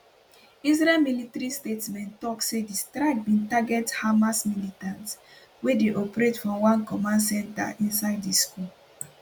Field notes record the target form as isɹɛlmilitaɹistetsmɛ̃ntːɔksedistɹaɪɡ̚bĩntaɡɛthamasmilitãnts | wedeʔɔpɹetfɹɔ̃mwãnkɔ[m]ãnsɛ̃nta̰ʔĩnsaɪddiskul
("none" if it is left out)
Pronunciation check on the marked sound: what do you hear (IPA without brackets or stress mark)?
m